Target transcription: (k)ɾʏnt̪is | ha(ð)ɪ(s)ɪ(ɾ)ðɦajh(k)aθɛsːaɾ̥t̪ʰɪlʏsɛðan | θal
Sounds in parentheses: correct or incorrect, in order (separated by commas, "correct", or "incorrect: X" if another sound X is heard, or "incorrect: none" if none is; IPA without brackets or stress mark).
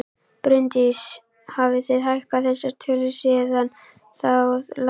incorrect: p, incorrect: v, incorrect: θ, incorrect: none, correct